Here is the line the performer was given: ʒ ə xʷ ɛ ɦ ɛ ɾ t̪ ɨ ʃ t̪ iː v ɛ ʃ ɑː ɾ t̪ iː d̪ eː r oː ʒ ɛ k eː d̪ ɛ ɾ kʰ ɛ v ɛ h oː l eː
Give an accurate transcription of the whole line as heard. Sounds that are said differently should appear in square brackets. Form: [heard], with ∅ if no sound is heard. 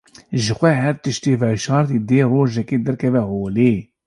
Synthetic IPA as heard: ʒ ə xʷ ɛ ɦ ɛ ɾ t̪ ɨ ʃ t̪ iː v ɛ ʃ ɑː ɾ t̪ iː d̪ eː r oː ʒ ɛ k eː d̪ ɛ ɾ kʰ ɛ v ɛ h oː l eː